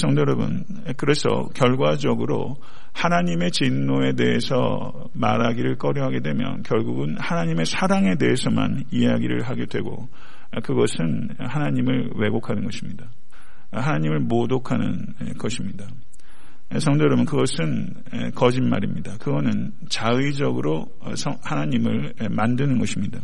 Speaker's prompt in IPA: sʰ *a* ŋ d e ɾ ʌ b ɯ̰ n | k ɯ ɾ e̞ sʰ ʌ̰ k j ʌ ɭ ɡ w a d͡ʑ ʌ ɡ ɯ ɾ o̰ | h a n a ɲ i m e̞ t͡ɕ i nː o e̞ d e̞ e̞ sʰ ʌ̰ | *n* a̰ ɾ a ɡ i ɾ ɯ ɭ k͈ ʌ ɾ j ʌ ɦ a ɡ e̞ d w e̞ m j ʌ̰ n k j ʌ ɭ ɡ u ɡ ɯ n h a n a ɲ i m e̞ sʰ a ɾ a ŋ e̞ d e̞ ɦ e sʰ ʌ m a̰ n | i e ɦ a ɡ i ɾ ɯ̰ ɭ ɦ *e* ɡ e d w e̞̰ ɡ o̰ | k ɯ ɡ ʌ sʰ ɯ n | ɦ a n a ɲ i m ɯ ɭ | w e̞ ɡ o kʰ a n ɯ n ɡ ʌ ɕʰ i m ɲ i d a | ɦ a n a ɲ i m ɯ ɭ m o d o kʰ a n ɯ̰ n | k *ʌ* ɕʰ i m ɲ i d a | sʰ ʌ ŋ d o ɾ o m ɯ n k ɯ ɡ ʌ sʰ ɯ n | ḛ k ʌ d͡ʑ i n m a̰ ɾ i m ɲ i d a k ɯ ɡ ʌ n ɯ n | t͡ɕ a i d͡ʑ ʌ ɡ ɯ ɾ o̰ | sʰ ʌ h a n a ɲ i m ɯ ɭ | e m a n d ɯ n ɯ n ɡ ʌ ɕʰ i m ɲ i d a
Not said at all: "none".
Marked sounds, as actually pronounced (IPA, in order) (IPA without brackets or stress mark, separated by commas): ʌ, m, a, ʌ